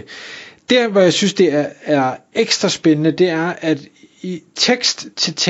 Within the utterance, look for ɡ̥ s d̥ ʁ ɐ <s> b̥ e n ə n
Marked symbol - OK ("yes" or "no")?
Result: yes